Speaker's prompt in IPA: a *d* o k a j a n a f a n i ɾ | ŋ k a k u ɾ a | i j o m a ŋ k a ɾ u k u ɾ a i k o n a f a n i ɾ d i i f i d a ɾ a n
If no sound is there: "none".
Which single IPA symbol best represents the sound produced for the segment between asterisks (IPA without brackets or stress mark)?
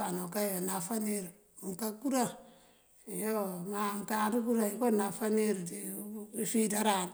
n